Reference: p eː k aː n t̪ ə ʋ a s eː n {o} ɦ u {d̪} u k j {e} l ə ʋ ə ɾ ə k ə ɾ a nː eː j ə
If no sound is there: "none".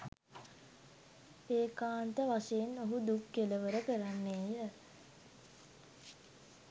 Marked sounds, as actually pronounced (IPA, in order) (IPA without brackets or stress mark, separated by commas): o, d̪, e